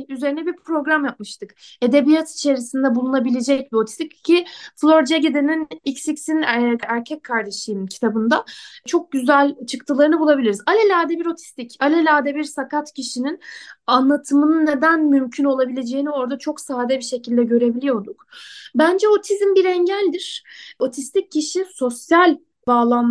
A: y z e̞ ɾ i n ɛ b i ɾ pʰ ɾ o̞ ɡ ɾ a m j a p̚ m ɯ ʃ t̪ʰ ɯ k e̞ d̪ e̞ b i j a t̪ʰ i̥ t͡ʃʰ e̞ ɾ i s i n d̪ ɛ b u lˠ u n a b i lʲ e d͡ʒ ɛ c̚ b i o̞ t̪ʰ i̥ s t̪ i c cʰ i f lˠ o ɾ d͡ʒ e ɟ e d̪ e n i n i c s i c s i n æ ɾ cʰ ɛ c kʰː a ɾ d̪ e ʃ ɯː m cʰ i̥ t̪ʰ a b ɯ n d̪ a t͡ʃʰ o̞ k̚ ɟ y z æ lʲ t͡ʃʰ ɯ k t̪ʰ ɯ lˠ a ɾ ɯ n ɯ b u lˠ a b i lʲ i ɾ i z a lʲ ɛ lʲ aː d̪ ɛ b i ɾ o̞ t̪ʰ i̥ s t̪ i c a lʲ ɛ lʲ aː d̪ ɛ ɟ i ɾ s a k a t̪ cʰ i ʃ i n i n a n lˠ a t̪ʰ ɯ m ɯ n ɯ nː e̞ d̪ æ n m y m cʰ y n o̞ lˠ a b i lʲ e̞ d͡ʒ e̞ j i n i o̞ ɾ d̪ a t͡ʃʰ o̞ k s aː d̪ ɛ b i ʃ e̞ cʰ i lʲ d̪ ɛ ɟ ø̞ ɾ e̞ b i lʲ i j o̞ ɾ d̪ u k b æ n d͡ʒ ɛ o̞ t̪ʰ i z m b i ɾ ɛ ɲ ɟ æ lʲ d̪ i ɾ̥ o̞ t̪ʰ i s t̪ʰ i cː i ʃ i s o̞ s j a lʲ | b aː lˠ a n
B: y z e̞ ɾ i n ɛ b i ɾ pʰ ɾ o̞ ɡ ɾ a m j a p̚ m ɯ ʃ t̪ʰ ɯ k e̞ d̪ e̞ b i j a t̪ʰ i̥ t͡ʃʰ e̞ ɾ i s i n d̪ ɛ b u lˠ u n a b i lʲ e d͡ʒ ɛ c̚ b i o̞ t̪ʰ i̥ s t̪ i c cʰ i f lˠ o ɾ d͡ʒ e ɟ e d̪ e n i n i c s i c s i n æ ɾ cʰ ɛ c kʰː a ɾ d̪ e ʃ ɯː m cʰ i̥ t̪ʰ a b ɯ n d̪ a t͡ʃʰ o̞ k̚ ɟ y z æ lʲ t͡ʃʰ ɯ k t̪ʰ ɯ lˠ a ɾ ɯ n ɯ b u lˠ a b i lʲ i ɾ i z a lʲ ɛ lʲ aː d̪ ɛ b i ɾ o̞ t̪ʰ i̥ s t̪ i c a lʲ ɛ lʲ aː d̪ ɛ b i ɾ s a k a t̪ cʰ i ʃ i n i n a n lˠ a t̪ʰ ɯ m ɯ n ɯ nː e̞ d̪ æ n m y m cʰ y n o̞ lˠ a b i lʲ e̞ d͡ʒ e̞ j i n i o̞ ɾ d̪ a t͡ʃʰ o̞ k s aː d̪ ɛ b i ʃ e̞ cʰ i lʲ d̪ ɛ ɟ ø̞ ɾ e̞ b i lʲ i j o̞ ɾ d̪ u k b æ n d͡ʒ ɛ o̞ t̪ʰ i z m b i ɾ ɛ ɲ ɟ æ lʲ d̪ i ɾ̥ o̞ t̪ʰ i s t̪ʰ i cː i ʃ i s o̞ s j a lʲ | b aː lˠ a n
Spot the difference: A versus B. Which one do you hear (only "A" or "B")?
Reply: B